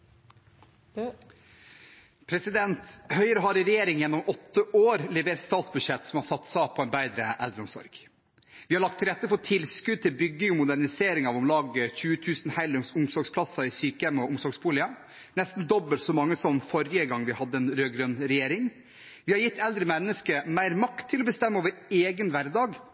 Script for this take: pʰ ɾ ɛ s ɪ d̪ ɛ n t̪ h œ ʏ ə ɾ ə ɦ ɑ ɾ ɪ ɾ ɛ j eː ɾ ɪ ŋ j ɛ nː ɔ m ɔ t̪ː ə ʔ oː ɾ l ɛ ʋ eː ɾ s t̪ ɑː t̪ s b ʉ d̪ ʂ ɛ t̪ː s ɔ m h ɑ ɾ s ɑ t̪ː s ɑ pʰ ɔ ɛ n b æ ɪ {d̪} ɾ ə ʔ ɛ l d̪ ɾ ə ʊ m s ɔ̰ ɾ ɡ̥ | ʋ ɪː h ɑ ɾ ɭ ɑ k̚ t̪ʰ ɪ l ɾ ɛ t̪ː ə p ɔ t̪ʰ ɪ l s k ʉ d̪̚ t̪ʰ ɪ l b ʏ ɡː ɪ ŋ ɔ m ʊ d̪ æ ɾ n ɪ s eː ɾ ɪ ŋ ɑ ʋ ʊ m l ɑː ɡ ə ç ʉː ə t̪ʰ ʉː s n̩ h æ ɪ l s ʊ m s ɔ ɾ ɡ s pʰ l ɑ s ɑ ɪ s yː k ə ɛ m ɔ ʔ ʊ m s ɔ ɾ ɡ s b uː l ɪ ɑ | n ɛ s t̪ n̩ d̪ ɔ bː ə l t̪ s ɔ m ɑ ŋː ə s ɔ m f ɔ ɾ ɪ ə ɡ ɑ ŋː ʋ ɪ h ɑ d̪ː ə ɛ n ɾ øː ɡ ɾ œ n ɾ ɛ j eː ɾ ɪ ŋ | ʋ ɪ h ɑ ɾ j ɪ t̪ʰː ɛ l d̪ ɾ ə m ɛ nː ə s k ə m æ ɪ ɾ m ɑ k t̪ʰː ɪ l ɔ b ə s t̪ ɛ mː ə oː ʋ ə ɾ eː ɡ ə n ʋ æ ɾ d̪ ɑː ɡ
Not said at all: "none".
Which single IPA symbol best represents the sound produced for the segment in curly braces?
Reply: d̪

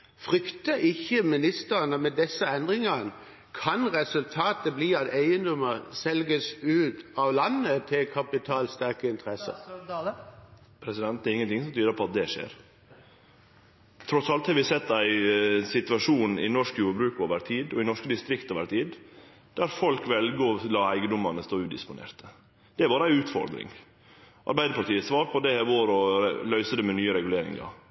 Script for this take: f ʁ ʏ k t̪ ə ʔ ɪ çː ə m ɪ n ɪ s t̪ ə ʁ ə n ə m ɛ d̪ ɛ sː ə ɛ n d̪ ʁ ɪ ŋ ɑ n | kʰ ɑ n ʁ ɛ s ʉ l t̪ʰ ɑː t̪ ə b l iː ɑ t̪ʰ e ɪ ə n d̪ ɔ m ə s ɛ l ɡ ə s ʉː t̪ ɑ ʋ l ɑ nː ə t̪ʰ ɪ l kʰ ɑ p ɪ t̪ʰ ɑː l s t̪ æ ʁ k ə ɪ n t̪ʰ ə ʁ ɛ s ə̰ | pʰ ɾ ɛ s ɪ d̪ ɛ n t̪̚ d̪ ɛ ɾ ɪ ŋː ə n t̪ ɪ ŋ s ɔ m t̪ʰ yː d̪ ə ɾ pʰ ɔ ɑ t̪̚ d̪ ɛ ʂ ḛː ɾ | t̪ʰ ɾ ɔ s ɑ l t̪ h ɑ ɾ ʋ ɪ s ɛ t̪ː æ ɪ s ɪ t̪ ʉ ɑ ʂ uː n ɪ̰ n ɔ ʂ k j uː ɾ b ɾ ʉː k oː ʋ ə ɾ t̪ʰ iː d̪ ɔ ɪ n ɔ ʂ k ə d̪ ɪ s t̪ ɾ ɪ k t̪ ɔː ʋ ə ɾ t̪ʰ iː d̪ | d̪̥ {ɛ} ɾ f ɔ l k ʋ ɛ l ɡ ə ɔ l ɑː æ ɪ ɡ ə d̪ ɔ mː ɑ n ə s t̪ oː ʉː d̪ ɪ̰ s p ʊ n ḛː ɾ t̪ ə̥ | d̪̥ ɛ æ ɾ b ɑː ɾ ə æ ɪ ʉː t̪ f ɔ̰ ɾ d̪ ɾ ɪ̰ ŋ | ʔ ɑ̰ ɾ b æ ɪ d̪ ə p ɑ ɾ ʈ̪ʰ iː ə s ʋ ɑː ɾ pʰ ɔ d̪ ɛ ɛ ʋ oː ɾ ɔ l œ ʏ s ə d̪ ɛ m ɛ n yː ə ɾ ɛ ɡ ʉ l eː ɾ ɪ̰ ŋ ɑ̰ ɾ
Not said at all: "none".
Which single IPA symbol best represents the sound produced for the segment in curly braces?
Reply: æ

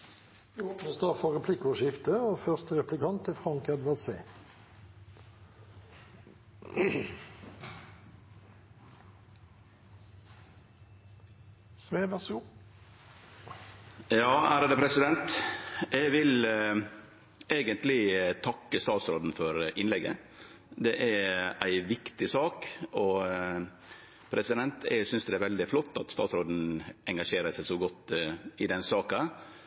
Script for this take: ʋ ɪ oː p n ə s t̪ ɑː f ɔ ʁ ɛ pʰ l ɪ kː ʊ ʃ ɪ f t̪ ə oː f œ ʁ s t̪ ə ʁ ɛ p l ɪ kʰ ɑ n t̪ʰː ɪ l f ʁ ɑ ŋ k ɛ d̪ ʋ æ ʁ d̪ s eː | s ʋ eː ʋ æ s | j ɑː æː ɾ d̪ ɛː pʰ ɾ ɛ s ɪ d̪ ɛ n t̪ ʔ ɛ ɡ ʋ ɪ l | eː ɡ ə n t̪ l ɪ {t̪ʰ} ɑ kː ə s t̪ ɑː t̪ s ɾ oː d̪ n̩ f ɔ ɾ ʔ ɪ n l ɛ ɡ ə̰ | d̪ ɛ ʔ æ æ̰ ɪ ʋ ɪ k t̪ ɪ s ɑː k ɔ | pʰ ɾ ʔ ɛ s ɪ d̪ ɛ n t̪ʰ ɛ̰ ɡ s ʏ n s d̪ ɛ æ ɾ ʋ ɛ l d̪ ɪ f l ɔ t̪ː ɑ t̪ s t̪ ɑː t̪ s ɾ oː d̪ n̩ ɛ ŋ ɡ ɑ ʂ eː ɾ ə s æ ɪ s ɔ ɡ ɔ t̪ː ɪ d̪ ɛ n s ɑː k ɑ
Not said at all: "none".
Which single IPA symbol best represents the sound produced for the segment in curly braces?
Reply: t̪ʰ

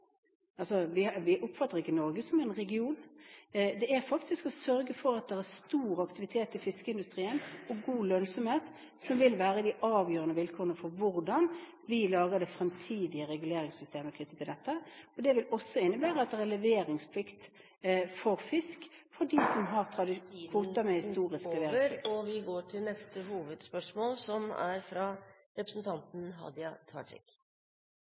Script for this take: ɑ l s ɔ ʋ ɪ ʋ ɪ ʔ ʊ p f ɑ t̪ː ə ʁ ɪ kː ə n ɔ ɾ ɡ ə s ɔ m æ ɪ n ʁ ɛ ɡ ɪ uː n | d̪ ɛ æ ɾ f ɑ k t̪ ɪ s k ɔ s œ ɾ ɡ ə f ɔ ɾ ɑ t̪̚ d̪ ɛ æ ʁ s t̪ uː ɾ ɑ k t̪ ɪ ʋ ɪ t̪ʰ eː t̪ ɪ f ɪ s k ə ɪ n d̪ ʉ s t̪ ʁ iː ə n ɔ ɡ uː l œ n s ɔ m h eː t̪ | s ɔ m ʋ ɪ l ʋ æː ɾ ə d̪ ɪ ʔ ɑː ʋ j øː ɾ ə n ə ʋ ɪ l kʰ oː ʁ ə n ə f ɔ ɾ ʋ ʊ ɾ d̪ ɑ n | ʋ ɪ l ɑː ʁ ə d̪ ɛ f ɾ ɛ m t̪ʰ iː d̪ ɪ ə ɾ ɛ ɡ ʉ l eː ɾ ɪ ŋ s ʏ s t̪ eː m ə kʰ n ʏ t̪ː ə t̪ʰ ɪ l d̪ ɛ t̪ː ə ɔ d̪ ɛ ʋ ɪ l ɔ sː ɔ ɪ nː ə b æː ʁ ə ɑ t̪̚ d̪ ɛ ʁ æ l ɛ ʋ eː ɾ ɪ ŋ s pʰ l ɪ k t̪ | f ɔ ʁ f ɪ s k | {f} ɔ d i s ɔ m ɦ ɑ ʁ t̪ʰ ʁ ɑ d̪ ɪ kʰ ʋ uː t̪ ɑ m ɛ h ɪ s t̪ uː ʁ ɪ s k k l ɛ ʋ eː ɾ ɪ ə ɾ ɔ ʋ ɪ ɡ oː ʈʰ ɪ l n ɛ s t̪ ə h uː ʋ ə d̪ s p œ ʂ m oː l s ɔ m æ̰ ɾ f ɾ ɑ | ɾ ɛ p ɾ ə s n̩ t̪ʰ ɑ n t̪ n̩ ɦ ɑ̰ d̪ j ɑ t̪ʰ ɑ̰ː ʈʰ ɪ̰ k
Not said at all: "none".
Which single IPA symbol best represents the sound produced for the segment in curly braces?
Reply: f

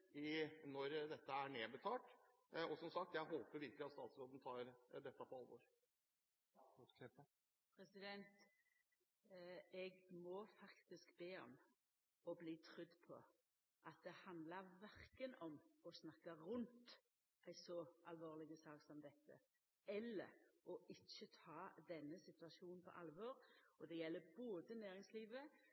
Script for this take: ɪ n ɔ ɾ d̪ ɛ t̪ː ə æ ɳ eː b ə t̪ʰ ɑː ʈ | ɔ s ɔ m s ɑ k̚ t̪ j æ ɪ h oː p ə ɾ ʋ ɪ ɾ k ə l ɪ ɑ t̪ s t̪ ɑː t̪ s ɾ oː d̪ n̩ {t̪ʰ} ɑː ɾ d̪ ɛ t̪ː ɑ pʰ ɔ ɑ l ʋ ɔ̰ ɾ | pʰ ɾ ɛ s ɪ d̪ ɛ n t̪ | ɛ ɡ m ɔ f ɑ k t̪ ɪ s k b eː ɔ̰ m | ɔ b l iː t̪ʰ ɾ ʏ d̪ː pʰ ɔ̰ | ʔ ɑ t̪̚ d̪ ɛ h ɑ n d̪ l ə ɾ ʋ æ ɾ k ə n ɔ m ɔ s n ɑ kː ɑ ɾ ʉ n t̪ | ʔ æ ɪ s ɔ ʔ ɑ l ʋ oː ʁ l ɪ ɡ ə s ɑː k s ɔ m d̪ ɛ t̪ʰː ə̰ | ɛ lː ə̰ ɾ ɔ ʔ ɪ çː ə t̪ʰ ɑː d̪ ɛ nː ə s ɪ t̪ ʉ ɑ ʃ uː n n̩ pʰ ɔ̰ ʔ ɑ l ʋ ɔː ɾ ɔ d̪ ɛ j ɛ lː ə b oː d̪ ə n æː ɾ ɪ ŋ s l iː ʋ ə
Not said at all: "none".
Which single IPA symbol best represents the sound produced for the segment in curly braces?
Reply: t̪ʰ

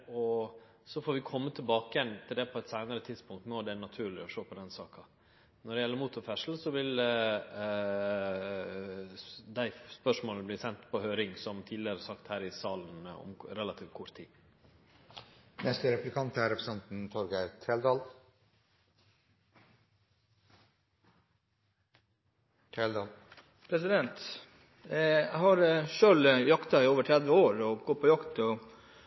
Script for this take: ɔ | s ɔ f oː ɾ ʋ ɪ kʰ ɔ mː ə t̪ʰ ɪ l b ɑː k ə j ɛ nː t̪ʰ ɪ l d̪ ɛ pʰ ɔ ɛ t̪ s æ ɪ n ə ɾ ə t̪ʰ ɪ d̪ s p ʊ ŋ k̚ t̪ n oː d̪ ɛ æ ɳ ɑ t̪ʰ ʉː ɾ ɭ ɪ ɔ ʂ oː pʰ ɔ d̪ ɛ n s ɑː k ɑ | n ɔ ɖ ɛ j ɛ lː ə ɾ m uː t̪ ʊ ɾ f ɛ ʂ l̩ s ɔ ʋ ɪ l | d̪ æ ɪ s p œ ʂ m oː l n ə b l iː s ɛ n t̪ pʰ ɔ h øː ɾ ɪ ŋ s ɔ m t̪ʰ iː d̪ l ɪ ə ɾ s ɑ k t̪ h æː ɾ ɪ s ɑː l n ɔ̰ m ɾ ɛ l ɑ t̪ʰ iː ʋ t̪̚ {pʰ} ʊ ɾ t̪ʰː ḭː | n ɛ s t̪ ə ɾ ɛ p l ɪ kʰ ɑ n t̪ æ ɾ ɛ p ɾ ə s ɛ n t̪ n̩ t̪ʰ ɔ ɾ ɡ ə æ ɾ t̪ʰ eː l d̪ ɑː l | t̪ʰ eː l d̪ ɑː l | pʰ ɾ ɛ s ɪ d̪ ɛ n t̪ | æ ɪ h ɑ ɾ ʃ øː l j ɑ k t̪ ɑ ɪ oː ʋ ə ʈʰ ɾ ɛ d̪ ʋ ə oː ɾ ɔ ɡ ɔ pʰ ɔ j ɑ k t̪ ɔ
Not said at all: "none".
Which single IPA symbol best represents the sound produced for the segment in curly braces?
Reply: kʰ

